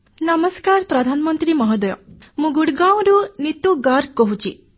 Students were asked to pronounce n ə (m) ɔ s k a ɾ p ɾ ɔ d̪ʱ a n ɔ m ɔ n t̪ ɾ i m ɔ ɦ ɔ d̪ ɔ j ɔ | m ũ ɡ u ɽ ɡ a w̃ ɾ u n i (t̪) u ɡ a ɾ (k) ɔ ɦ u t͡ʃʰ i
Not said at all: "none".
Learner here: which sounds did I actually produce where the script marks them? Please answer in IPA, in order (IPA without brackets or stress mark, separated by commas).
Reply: m, t̪, k